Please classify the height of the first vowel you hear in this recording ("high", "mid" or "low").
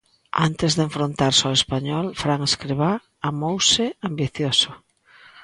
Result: low